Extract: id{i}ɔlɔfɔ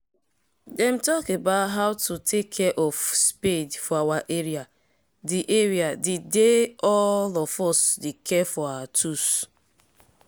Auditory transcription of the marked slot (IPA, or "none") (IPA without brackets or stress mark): e